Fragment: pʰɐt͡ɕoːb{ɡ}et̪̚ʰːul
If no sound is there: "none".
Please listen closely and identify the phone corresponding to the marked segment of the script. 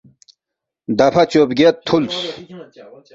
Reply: ɡ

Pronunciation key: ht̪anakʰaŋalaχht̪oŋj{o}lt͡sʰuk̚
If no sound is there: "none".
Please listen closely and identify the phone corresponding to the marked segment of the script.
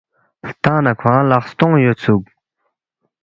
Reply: o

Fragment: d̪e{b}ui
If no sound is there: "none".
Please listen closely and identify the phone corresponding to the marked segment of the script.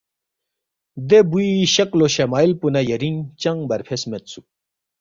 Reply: b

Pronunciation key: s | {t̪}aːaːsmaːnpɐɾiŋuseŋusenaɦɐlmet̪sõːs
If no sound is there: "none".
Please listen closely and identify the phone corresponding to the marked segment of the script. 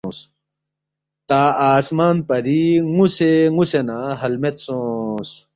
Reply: t̪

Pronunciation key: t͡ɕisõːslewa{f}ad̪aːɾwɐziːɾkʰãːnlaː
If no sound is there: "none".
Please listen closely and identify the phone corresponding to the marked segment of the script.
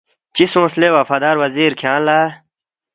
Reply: f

